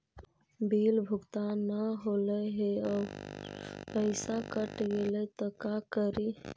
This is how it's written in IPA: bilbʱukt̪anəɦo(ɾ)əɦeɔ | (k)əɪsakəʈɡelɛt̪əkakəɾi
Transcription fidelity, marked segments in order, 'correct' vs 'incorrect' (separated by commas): incorrect, incorrect